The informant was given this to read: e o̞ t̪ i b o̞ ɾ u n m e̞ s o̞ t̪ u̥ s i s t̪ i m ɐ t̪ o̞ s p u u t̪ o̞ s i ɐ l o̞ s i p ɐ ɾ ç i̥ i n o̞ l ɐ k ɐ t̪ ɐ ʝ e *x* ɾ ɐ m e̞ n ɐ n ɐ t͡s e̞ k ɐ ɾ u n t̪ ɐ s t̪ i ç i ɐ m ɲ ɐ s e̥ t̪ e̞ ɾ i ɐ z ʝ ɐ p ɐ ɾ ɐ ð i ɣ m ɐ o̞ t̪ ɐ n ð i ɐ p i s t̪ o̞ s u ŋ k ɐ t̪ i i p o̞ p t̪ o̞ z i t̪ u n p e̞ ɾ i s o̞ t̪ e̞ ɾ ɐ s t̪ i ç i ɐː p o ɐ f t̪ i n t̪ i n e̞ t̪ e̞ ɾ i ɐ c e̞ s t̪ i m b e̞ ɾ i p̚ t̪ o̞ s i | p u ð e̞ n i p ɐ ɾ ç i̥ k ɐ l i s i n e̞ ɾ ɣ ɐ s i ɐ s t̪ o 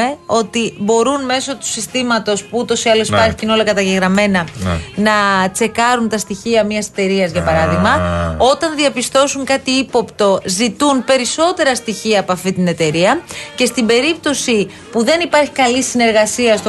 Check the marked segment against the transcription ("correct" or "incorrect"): incorrect